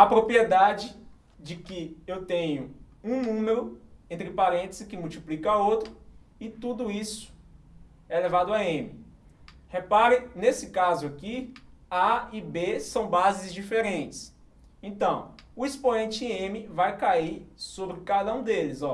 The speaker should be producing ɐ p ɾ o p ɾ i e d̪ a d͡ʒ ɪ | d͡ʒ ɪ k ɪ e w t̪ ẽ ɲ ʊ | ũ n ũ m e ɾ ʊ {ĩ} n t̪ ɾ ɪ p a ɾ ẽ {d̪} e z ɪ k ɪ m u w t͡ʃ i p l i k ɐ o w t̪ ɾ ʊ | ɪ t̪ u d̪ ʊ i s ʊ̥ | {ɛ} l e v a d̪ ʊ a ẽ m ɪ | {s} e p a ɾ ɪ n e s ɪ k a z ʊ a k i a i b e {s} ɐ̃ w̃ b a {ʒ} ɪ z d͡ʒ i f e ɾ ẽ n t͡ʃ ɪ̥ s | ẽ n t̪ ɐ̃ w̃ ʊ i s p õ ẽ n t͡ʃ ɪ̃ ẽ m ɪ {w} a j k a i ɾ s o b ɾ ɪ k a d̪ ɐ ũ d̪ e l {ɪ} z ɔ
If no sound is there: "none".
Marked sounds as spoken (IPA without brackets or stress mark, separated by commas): ẽ, t̪, ɛ, h, s, z, v, ɪ